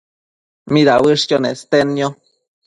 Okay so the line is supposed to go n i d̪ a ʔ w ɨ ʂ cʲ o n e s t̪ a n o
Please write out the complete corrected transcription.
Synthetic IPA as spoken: m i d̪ a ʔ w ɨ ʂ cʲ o n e s t̪ e n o